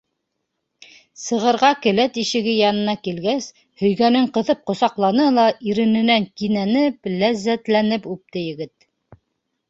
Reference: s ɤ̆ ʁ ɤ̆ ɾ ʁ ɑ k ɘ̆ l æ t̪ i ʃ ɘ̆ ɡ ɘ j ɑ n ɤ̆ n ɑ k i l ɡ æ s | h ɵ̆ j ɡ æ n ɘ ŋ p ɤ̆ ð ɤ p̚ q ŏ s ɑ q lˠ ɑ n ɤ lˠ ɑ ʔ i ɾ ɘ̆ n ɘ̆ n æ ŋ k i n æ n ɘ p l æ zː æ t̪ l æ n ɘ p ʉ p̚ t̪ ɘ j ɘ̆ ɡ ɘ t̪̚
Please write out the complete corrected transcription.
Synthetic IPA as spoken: s ɤ̆ ʁ ɤ̆ ɾ ʁ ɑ k ɘ̆ l æ t̪ i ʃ ɘ̆ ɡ ɘ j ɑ n ɤ̆ n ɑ k i l ɡ æ s | h ɵ̆ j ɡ æ n ɘ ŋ q ɤ̆ ð ɤ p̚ q ŏ s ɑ q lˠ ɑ n ɤ lˠ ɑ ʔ i ɾ ɘ̆ n ɘ̆ n æ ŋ k i n æ n ɘ p l æ zː æ t̪ l æ n ɘ p ʉ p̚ t̪ ɘ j ɘ̆ ɡ ɘ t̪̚